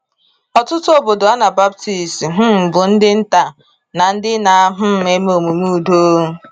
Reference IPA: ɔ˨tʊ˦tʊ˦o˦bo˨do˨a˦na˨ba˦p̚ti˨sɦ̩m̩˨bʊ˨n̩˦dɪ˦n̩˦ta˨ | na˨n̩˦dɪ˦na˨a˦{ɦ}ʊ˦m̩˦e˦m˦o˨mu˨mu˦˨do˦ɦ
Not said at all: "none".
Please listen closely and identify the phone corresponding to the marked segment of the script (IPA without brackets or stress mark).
ɦ